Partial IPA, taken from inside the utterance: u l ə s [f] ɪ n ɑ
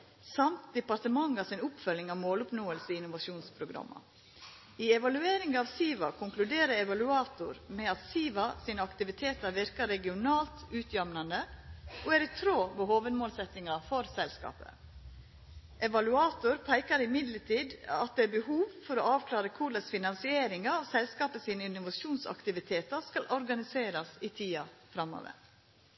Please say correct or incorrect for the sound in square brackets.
correct